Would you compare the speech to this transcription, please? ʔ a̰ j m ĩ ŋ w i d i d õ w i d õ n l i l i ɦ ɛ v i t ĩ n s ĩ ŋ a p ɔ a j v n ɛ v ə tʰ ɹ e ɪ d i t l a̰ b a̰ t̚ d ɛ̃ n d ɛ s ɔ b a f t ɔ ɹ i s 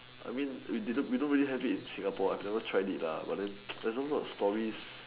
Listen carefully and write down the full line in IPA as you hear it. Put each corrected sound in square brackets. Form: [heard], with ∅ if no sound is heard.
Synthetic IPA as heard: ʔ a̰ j m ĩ [n] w i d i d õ w i d õ n [ɹ] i l i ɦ ɛ v i t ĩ n s ĩ ŋ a p ɔ a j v n ɛ v ə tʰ ɹ [a] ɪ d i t l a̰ b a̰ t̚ d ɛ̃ n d ɛ s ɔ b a [s] t ɔ ɹ i s